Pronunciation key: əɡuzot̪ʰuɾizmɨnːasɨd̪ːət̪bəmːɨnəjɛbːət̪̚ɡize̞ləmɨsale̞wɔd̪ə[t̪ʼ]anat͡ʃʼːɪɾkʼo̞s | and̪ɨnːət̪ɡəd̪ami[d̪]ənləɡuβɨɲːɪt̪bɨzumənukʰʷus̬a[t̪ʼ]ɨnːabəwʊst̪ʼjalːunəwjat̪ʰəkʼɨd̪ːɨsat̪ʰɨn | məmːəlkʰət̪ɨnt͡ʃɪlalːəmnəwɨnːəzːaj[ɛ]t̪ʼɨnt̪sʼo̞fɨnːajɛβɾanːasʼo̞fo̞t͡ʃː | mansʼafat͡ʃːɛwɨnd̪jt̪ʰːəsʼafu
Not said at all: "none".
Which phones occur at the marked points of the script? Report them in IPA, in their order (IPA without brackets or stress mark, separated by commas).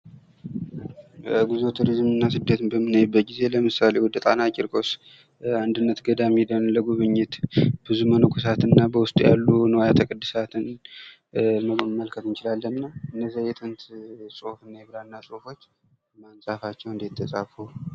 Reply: t̪ʼ, d̪, t̪, ɛ